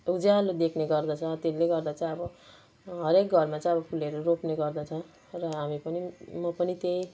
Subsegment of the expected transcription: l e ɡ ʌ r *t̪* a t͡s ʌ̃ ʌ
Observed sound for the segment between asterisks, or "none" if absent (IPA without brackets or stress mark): d̪